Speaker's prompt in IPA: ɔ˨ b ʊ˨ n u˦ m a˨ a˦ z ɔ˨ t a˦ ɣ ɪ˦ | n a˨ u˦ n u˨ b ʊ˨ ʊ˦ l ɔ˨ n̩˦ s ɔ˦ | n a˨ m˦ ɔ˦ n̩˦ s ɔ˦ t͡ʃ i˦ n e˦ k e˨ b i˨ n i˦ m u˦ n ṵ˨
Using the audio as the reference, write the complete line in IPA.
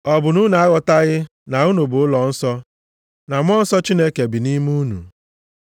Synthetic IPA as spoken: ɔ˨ b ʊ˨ n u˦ n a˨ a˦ ɣ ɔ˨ t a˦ ɣ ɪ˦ | n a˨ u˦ n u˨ b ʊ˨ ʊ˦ l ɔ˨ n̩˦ s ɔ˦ | n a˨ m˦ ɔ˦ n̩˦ s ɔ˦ t͡ʃ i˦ n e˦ k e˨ b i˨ n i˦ m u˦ n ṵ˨